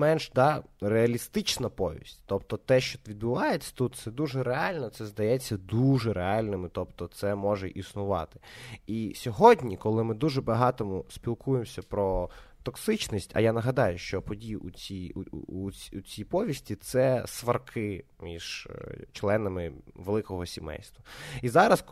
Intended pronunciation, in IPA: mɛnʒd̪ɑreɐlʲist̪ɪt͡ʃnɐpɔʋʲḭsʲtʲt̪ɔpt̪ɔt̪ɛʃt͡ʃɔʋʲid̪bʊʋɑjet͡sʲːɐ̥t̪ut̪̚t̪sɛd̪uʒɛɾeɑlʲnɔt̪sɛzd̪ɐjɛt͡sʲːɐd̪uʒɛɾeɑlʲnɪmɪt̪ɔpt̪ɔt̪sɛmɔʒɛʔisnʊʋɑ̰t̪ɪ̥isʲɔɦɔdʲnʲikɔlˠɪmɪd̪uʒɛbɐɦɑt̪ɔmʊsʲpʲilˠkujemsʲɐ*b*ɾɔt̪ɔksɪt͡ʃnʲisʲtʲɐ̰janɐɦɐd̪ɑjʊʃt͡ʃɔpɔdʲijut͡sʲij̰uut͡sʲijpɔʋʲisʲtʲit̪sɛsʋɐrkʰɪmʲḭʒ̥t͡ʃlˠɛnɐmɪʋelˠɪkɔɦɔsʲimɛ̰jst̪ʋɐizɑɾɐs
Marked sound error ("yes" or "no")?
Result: yes